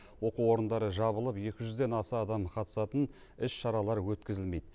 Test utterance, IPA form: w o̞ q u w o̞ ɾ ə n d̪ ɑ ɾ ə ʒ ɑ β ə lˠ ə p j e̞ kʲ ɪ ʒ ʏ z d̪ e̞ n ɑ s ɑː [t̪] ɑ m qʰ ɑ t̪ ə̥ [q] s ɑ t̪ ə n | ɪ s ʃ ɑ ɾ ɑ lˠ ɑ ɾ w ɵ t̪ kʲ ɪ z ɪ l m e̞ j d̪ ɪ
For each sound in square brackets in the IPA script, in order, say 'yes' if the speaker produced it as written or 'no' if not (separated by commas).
no, no